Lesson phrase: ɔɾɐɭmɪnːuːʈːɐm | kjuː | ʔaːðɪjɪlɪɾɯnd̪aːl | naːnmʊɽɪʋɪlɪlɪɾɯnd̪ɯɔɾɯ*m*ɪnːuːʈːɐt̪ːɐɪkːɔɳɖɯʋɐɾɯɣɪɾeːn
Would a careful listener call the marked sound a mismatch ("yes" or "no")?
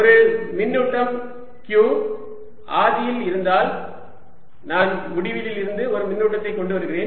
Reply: no